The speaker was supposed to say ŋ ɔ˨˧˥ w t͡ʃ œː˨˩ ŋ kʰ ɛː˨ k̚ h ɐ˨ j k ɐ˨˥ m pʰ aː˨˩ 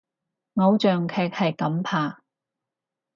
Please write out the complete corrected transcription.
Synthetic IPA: ŋ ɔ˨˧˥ w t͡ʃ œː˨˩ ŋ kʰ ɛː˨ k̚ h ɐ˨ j k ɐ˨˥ m pʰ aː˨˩